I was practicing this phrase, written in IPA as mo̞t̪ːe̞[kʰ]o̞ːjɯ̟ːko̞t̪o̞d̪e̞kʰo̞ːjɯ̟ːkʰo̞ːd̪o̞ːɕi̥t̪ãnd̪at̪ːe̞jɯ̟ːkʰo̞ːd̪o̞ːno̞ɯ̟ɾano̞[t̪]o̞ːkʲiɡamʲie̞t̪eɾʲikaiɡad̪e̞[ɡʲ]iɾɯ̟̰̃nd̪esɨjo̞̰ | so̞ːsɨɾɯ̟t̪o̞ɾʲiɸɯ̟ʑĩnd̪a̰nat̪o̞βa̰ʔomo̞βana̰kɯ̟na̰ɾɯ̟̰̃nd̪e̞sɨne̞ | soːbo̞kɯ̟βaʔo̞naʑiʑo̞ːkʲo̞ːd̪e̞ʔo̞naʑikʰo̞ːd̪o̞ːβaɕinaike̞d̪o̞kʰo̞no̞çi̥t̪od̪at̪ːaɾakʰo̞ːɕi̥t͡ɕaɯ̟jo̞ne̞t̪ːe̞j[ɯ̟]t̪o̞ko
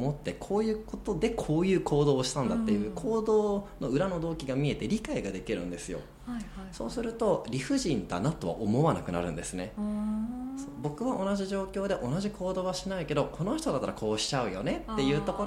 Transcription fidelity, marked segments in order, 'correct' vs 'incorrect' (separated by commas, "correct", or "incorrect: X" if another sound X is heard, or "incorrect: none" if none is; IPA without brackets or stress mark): correct, incorrect: d̪, incorrect: kʲ, incorrect: ɯ̟ː